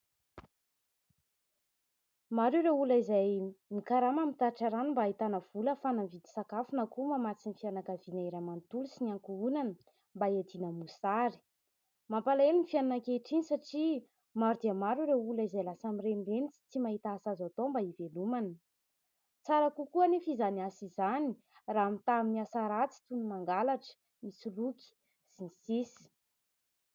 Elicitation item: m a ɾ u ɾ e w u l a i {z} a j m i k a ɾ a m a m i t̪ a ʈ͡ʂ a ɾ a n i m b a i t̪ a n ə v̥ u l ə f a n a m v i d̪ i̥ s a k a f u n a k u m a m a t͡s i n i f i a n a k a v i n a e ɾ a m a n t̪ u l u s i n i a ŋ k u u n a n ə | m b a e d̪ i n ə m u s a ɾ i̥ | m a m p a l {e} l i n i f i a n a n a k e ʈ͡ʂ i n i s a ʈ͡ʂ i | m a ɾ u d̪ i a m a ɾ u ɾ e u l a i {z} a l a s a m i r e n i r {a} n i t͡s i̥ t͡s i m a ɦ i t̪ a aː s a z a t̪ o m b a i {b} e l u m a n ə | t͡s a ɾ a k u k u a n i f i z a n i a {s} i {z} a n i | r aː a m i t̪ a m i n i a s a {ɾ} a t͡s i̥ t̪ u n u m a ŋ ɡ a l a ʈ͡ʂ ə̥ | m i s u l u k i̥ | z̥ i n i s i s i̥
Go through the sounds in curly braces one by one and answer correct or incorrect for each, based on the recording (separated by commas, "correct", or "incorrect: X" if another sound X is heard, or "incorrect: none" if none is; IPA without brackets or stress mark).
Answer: correct, correct, correct, incorrect: e, incorrect: v, correct, correct, correct